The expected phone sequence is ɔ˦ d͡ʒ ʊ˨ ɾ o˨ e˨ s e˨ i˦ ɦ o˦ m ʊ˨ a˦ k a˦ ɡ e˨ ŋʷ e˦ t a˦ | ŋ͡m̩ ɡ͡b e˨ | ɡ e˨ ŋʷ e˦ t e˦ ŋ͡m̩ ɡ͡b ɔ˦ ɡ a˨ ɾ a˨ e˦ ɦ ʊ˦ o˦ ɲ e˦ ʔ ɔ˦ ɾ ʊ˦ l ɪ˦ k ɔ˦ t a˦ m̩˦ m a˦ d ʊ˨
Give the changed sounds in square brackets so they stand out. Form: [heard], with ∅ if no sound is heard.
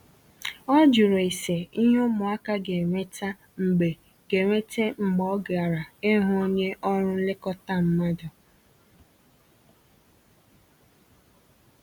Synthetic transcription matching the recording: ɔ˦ d͡ʒ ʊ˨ ɾ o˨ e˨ s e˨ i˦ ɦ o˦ m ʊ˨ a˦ k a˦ ɡ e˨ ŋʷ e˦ t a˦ | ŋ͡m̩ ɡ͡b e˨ | ɡ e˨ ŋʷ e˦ t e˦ ŋ͡m̩ ɡ͡b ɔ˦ ɡ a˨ ɾ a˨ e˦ ɦ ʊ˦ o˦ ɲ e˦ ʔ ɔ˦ ɾ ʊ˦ l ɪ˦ k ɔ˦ t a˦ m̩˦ m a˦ d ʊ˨